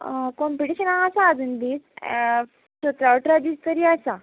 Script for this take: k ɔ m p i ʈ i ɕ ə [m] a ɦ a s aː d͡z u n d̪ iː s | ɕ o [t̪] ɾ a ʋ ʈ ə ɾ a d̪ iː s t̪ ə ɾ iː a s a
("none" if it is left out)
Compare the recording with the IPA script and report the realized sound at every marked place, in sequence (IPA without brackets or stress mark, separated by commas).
n, t̪